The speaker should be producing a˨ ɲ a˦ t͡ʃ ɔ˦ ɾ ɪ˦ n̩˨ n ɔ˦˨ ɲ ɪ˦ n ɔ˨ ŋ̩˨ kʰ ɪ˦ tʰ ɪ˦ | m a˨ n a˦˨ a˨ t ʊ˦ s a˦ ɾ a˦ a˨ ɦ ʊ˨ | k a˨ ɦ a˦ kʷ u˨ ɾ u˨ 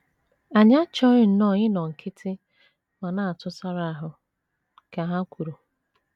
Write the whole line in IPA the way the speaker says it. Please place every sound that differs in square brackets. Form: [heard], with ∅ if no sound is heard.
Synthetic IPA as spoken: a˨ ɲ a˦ t͡ʃ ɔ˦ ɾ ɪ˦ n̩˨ n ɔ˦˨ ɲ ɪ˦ n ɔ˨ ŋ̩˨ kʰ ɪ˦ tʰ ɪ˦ | m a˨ n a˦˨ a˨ t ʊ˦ s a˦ ɾ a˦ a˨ ɦ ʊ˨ | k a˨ ɦ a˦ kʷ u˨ ɾ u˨